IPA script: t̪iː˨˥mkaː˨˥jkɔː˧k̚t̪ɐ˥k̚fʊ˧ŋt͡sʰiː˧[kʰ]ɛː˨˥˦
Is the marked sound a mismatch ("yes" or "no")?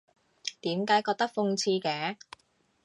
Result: yes